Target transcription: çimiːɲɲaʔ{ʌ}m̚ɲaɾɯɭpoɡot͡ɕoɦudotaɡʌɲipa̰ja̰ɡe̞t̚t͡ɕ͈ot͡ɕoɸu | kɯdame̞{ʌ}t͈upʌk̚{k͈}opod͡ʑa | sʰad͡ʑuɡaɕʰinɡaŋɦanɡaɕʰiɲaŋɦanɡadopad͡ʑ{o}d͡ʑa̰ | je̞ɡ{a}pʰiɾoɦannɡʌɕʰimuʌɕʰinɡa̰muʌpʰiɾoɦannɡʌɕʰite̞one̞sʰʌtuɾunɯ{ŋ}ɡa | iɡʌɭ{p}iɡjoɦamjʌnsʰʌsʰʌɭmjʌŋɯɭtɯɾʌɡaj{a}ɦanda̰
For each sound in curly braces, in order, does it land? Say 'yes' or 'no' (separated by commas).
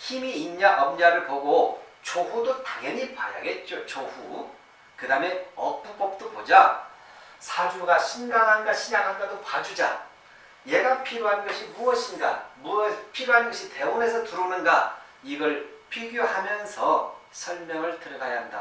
yes, yes, no, no, yes, no, no, yes